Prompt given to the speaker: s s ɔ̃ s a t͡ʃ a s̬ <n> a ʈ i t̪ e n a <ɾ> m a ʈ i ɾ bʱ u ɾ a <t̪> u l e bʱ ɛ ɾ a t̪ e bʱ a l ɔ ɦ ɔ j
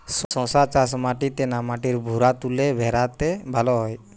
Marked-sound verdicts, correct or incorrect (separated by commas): incorrect, incorrect, correct